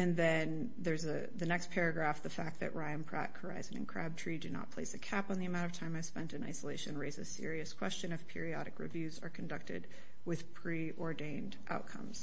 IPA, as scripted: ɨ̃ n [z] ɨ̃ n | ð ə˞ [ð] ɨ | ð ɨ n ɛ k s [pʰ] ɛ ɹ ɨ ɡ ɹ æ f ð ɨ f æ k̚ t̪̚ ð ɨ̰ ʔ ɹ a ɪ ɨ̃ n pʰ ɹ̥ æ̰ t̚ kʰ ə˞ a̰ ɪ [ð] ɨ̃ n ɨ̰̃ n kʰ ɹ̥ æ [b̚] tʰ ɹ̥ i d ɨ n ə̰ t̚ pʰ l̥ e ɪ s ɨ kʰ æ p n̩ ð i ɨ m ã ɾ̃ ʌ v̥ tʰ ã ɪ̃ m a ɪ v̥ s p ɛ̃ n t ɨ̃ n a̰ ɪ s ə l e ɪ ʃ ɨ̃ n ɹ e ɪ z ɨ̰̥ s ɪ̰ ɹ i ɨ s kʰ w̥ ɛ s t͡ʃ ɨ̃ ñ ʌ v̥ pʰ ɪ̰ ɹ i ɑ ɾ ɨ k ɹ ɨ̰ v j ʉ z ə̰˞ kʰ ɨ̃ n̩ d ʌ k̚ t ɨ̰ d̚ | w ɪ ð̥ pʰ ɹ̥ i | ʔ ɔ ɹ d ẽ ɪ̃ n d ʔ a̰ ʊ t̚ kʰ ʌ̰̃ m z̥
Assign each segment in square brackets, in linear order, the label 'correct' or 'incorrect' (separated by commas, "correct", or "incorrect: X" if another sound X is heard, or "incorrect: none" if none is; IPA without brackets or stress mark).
incorrect: ð, incorrect: z, correct, incorrect: z, correct